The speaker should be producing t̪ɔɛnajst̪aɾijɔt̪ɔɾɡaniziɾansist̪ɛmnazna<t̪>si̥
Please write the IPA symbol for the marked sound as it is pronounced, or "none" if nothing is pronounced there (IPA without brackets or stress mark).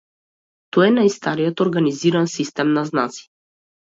t̪